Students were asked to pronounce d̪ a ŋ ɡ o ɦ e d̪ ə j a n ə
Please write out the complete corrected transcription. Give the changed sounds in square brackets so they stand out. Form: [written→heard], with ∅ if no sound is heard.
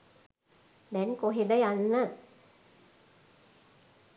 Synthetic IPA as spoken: d̪ [a→ɛ] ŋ [ɡ→k] o ɦ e d̪ ə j a [n→nː] ə